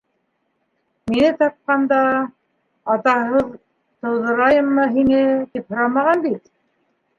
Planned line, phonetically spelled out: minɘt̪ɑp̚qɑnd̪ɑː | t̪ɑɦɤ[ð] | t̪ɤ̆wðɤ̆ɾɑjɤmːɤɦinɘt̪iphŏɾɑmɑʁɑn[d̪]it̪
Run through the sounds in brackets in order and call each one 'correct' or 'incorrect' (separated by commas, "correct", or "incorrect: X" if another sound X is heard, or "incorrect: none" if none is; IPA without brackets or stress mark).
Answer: correct, correct